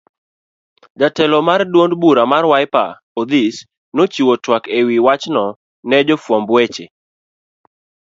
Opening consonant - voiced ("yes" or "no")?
yes